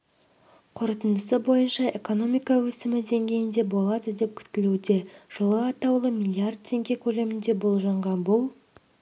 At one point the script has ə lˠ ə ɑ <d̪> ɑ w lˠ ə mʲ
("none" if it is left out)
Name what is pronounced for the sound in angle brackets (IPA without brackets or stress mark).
t̪